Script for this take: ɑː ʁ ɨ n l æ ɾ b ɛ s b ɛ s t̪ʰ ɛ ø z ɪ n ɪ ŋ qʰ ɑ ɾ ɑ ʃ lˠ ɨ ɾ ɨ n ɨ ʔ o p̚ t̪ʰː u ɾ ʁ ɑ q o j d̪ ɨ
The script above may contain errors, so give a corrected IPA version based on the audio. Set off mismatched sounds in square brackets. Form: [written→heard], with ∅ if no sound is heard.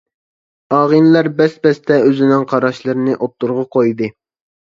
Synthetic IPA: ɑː ʁ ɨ n l æ ɾ b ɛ s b ɛ s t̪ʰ ɛ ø z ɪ n ɪ ŋ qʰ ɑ ɾ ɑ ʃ lˠ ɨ ɾ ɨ n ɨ ʔ o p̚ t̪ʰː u ɾ ʁ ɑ q o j d̪ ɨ